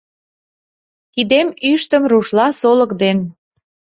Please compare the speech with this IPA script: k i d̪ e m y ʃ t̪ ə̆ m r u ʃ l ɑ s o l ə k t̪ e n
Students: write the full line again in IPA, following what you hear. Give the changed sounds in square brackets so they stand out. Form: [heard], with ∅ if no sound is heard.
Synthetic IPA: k i d̪ e m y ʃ t̪ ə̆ m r u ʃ l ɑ s o l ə k [d̪] e n